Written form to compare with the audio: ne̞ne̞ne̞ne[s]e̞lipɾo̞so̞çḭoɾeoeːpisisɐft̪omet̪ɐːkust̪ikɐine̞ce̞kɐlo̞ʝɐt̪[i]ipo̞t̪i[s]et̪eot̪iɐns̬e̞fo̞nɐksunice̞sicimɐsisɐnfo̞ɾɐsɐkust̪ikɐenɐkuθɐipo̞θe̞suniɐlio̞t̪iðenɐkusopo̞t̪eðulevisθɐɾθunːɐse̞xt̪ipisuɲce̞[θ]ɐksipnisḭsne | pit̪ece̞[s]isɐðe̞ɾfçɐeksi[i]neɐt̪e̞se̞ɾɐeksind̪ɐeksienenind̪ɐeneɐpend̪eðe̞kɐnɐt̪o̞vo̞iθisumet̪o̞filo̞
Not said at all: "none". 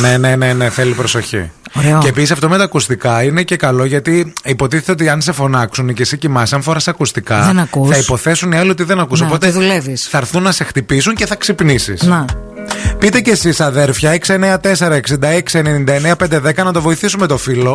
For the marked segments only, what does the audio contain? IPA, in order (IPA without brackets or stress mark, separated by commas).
θ, i, θ, θ, s, e